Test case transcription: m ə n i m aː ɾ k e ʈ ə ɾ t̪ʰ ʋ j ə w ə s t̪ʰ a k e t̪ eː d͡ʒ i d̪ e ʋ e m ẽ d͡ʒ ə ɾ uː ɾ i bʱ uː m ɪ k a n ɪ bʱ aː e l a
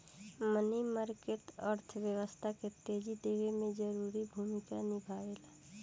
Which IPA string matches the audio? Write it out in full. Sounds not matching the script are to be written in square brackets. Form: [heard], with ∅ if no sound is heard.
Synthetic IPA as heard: m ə n i m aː ɾ k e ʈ ə ɾ t̪ʰ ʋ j ə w ə s t̪ʰ a k e t̪ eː d͡ʒ i d̪ e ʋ e m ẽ d͡ʒ ə ɾ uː ɾ i bʱ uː m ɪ k a n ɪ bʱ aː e l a